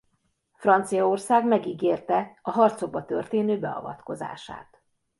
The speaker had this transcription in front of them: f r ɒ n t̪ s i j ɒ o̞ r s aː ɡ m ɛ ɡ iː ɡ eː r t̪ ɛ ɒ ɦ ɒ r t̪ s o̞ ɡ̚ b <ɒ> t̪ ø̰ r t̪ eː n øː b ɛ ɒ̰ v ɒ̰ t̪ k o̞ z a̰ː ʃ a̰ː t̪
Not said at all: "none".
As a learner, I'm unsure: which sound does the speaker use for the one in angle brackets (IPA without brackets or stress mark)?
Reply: ɒ